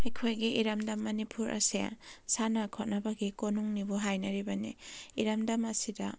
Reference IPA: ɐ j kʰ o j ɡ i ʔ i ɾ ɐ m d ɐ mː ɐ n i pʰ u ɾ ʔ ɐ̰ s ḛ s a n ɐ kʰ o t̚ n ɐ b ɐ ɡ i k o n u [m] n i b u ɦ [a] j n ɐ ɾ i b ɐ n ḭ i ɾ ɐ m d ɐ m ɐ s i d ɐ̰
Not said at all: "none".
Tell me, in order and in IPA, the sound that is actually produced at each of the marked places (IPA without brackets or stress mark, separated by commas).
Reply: ŋ, a